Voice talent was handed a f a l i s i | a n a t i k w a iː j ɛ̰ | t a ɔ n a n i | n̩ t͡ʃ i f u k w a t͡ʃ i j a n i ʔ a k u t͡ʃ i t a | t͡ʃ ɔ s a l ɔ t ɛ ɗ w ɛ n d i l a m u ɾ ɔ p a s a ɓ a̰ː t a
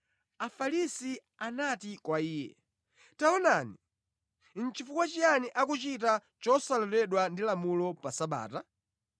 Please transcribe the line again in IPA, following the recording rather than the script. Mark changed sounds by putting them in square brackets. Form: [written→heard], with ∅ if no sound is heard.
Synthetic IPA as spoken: a f a l i s i | a n a t i k w a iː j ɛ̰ | t a ɔ n a n i | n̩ t͡ʃ i f u k w a t͡ʃ i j a n i ʔ a k u t͡ʃ i t a | t͡ʃ ɔ s a l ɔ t ɛ ɗ w [ɛ→a] n d i l a m u [ɾ→l] ɔ p a s a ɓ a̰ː t a